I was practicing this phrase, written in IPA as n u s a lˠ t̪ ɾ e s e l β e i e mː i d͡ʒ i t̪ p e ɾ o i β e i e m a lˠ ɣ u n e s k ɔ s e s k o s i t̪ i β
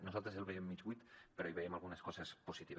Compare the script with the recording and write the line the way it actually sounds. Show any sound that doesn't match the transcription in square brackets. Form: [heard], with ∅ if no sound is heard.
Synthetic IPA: n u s a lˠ t̪ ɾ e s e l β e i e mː i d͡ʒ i t̪ p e ɾ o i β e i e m a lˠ ɣ u n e s k ɔ s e s [p] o s i t̪ i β

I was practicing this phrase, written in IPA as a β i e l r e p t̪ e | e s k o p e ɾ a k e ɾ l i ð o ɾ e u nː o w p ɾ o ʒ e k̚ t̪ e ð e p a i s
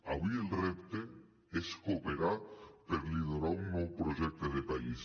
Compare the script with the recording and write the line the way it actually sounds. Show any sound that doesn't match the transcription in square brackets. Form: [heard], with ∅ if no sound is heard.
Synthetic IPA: a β i e l r e p t̪ e | e s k o p e ɾ a [p] e ɾ l i ð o ɾ [a] u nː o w p ɾ o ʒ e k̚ t̪ e ð e p a i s

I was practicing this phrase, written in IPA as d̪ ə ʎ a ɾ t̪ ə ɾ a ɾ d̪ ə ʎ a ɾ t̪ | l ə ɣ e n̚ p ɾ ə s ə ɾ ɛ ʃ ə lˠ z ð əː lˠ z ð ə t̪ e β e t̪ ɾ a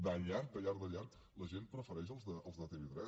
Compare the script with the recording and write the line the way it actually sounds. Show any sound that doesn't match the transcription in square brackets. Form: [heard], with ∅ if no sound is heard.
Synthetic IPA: d̪ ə ʎ a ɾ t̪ ə [ʎ] a ɾ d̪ ə ʎ a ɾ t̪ | l ə [ʒ] e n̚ p ɾ ə [f] ə ɾ ɛ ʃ ə lˠ z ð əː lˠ z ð ə t̪ e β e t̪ ɾ [ɛ]

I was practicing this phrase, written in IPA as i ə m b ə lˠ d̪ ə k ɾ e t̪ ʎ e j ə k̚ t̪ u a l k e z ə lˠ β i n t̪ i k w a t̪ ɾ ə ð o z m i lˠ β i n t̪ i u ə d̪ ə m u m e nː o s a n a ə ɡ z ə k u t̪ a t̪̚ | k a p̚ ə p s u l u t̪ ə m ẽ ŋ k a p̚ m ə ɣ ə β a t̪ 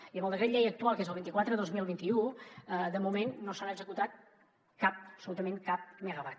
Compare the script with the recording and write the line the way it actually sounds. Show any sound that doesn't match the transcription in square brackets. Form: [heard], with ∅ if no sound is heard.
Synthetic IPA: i ə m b ə lˠ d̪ ə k ɾ e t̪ ʎ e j ə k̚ t̪ u a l k e z ə lˠ β i n t̪ i k w a t̪ ɾ ə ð o z m i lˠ β i n t̪ i u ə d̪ ə m u m e nː o s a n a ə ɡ z ə k u t̪ a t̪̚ | k a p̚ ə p s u l u t̪ ə m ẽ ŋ k a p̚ m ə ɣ ə β a t̪

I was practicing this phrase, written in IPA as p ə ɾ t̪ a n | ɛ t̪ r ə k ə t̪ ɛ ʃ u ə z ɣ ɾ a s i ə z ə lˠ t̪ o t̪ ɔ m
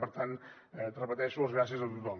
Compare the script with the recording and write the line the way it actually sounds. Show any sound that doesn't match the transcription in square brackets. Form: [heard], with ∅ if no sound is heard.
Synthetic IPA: p ə ɾ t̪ a n | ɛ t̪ r ə [p] ə t̪ ɛ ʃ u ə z ɣ ɾ a s i ə z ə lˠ t̪ [u] t̪ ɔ m

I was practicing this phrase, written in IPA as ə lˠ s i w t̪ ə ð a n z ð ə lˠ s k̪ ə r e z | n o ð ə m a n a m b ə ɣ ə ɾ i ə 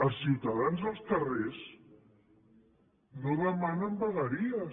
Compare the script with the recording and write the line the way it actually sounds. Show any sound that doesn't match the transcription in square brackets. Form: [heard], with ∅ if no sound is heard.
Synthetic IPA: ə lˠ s i w t̪ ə ð a n z ð ə lˠ s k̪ ə r e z | n o ð ə m a n [ə] m b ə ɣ ə ɾ i ə

